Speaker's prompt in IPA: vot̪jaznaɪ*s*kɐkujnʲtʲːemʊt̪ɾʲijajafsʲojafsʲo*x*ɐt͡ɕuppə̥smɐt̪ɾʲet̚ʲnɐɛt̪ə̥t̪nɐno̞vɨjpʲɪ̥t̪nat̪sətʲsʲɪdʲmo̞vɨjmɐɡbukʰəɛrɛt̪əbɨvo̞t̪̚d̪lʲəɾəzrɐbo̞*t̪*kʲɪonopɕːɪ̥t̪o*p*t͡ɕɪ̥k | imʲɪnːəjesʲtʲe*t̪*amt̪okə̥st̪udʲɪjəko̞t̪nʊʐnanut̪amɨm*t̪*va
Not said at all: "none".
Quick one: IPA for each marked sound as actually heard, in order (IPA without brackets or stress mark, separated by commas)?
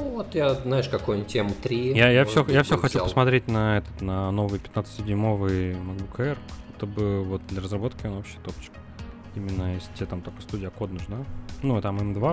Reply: ʂ, x, t̪, p, t̪, d̪